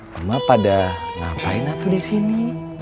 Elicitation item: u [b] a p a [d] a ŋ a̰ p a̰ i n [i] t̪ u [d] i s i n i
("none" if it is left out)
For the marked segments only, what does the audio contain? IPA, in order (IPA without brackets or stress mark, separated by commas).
m, d, a, d